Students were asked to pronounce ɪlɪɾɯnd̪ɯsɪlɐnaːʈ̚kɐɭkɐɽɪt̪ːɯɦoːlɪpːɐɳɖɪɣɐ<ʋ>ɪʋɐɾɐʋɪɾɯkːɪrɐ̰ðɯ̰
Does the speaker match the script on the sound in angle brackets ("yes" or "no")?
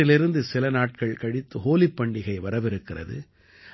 no